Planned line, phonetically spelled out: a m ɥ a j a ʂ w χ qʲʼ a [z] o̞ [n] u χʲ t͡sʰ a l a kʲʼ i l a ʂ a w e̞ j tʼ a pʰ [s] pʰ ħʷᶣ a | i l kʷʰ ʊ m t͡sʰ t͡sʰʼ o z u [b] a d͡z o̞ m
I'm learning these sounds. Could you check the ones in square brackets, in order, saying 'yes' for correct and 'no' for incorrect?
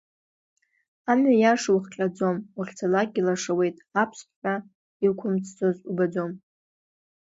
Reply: no, no, yes, yes

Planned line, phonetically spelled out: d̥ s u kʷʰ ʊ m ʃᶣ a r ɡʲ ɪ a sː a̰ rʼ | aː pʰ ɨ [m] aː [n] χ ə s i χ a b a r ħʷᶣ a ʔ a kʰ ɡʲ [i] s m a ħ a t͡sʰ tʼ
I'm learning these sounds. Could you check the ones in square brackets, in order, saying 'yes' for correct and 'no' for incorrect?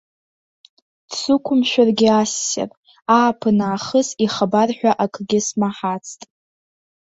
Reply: no, no, no

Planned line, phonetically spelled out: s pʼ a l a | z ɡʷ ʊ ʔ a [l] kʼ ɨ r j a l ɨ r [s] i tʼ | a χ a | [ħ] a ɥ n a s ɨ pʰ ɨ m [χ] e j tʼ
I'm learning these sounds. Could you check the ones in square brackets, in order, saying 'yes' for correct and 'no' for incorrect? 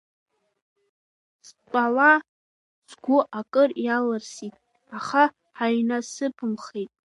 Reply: no, yes, yes, yes

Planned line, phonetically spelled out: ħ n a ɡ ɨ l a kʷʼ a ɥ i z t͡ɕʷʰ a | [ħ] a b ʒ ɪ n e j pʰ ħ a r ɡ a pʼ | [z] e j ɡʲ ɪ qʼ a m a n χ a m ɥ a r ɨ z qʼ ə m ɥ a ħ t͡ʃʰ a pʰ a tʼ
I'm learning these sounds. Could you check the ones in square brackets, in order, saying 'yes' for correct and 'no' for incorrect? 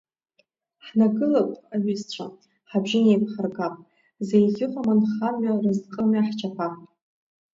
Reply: yes, yes

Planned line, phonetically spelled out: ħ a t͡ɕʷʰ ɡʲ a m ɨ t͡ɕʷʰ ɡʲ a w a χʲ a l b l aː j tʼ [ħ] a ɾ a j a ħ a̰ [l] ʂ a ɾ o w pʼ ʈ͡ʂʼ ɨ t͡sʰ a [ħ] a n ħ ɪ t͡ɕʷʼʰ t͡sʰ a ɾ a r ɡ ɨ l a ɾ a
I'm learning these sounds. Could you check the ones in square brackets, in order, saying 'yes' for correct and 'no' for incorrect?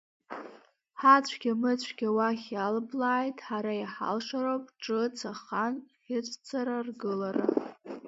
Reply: yes, yes, no

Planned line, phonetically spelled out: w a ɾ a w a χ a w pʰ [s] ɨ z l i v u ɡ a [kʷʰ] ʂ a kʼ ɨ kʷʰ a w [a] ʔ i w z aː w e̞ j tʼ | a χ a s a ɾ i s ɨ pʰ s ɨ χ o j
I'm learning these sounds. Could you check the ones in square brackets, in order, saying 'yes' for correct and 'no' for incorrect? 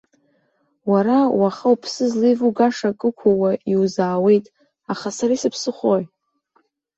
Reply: yes, no, yes

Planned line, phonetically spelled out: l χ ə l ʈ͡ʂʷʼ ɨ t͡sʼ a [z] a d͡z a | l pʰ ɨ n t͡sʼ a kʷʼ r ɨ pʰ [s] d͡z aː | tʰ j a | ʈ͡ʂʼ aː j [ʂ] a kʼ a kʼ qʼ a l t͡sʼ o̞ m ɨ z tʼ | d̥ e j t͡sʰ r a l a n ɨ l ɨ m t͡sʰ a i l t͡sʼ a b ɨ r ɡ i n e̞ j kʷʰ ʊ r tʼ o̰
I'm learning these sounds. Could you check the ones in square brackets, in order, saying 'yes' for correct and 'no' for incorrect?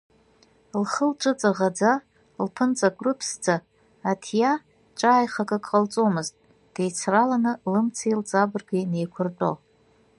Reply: no, yes, no

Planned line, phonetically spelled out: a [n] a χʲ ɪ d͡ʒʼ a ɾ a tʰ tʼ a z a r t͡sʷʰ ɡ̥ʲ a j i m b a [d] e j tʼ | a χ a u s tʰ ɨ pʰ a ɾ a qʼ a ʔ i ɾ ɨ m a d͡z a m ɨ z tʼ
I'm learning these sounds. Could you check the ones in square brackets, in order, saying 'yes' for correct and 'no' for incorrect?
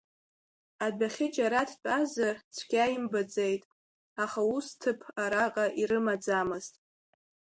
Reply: no, no

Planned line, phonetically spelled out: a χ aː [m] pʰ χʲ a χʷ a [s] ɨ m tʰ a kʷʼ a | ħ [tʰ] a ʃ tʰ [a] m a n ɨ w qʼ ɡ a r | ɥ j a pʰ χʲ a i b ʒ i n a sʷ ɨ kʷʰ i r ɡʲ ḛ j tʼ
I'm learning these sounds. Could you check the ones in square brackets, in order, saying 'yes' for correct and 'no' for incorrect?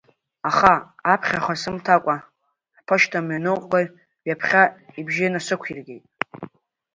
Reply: no, yes, no, yes

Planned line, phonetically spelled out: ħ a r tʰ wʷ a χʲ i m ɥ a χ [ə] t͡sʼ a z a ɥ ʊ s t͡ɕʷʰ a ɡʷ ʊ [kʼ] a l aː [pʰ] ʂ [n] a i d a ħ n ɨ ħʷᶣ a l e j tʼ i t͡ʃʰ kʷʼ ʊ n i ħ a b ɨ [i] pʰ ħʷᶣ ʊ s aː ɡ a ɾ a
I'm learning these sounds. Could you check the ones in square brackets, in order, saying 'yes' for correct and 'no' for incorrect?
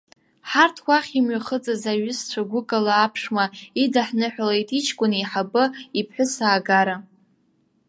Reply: yes, yes, yes, no, yes

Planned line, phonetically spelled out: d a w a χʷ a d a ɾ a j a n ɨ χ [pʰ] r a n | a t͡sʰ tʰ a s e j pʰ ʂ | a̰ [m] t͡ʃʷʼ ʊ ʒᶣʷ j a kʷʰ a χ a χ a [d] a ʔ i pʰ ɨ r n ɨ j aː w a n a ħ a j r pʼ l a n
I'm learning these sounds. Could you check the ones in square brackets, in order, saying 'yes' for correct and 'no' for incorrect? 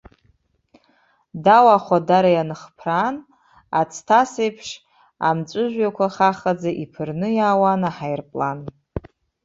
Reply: yes, yes, no

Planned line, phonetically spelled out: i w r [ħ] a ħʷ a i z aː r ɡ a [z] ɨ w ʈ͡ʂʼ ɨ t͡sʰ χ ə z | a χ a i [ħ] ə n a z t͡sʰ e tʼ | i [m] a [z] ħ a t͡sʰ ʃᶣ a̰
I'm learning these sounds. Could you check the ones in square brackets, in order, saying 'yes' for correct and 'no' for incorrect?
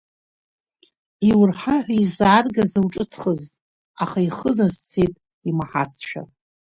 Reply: yes, yes, no, yes, no

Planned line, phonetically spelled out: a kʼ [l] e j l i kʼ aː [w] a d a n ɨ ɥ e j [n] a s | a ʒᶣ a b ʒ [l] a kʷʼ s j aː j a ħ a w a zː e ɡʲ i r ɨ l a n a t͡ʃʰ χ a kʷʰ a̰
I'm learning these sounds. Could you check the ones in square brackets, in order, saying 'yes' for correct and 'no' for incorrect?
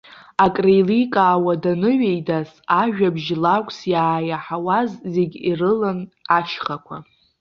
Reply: no, yes, no, yes

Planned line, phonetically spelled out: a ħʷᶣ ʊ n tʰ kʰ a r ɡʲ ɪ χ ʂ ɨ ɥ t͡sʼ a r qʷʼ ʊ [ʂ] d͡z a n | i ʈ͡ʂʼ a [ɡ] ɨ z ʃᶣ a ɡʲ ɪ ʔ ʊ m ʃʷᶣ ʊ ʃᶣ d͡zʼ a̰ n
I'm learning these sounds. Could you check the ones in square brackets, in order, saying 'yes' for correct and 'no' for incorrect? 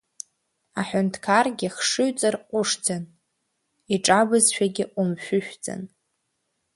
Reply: yes, no

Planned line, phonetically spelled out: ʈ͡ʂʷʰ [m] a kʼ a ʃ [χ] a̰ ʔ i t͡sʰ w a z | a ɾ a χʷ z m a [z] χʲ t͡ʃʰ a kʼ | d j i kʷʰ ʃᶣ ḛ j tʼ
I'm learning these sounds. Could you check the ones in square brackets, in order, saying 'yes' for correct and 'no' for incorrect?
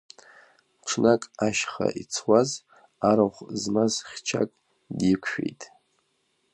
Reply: no, yes, yes

